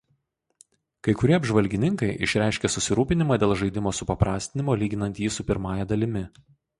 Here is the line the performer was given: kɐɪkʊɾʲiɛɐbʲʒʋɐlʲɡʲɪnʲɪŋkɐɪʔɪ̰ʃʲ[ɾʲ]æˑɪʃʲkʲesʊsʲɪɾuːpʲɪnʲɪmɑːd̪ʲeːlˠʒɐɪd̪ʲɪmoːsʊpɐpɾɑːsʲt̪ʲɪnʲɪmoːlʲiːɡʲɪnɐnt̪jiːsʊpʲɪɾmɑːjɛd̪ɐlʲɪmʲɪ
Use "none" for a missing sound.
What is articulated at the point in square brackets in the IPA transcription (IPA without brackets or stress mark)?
ɾʲ